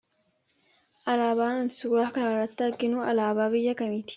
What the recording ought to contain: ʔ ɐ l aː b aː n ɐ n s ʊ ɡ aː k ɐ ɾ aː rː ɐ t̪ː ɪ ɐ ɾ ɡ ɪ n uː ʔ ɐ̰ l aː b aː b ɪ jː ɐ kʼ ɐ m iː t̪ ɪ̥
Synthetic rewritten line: ʔ ɐ l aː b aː n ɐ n s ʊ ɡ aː k ɐ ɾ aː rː ɐ t̪ː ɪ ɐ ɾ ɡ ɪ n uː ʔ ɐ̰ l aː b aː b ɪ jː ɐ k ɐ m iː t̪ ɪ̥